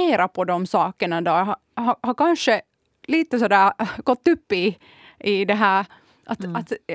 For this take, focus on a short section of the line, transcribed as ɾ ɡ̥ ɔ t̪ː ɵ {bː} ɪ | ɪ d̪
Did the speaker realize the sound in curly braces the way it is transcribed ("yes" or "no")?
no